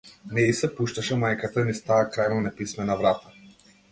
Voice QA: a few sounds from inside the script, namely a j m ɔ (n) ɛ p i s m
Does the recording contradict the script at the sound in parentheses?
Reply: no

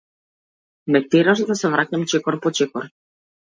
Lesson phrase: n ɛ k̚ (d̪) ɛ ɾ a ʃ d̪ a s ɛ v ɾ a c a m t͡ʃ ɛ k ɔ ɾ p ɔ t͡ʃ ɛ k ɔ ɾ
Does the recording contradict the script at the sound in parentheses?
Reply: yes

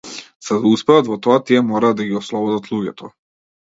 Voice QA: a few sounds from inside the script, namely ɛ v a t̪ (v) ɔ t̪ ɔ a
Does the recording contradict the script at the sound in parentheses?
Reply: no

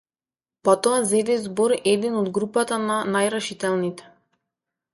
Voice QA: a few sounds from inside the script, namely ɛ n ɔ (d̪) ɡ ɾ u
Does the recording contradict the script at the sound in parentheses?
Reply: no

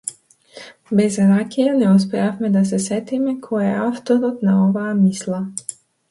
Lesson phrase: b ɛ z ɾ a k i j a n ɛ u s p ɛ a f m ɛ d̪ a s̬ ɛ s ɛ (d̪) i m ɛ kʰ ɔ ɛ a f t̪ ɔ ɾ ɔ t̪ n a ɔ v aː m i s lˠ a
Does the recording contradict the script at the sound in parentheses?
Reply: yes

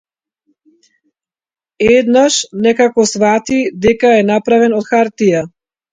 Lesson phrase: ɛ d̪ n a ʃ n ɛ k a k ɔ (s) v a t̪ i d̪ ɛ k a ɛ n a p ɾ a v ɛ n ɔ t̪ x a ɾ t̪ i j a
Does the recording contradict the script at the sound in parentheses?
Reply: no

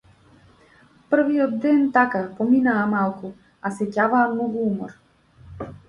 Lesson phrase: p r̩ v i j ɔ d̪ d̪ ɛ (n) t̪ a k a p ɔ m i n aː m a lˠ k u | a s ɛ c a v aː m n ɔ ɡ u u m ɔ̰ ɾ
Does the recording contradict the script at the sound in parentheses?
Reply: no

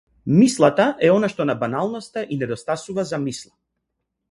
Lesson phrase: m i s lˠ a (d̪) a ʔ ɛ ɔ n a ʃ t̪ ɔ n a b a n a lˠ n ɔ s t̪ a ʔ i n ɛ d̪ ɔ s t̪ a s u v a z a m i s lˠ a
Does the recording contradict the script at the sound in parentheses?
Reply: yes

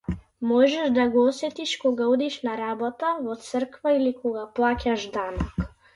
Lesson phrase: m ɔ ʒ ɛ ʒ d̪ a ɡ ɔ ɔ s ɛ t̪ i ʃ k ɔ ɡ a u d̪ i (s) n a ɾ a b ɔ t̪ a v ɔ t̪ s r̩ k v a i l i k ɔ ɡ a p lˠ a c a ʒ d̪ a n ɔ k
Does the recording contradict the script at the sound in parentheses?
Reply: yes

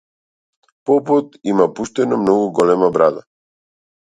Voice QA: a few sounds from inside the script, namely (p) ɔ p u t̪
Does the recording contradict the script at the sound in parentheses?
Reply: no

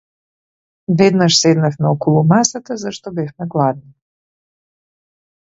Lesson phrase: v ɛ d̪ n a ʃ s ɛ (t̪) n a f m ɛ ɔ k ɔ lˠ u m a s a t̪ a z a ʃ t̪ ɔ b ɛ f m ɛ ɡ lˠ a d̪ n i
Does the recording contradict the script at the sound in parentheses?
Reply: yes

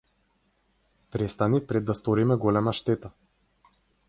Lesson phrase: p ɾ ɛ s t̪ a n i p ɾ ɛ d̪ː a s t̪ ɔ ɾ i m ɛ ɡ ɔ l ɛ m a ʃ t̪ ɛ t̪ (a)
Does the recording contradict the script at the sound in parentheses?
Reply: no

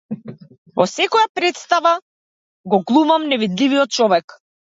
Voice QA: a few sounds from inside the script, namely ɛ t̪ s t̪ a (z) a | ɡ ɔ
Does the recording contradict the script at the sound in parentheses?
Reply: yes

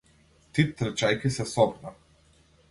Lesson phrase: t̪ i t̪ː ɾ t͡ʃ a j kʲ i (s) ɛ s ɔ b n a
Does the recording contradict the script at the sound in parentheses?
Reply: no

